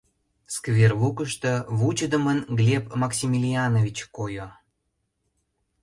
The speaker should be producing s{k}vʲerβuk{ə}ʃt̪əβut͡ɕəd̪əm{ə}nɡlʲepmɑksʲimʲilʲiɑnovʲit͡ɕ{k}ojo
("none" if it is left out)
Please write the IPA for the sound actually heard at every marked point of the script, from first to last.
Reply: k, ə, ə, k

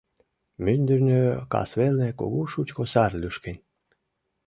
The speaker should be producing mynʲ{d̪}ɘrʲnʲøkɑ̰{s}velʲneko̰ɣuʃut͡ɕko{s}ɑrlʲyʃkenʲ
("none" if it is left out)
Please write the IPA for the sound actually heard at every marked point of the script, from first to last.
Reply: d̪, s, s

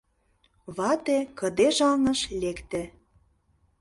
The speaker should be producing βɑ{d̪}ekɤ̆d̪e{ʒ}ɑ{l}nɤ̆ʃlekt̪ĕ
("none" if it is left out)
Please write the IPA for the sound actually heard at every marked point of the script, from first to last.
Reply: t̪, ʒ, l

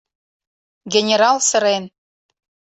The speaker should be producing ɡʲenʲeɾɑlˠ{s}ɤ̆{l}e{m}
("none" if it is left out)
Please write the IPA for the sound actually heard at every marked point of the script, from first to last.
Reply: s, ɾ, n

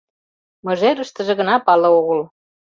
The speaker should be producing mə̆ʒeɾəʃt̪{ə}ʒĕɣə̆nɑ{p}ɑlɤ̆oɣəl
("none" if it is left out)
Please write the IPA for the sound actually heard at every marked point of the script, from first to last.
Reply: ə, p

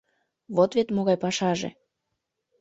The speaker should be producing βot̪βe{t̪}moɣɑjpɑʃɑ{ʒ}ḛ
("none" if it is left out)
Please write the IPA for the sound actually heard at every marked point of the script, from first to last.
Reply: t̪, ʒ

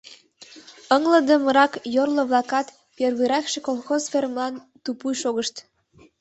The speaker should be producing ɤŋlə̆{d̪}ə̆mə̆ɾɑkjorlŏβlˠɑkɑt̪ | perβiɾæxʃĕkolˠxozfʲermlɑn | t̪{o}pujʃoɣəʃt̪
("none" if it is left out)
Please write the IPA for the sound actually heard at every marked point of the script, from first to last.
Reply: d̪, u

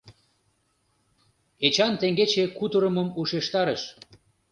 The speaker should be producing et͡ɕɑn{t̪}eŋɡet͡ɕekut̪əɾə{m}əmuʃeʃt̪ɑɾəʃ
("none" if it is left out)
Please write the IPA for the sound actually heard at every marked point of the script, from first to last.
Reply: t̪, m

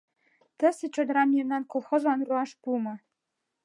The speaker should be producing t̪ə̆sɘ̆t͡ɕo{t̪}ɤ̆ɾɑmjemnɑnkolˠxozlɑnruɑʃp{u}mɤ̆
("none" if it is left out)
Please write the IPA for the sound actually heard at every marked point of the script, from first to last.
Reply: d̪, u

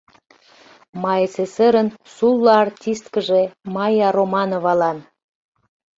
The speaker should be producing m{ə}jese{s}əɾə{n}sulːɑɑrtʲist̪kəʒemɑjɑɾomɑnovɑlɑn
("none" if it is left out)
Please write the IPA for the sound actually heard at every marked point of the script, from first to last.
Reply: ɑ, s, n

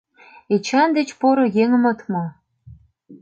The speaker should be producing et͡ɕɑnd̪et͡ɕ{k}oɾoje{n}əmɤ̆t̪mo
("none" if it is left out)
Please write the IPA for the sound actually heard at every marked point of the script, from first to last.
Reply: p, ŋ

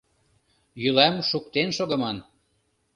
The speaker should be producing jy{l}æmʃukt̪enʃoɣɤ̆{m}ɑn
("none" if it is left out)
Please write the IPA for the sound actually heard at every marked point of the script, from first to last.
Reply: l, m

